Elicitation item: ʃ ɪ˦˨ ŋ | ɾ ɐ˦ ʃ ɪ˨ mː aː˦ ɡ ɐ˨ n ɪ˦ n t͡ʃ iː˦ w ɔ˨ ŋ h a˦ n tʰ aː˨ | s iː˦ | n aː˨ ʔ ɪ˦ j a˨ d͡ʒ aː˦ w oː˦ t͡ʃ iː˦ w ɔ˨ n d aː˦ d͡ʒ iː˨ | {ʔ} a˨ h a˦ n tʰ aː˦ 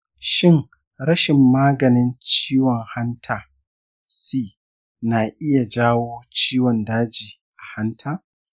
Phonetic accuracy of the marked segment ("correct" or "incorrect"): correct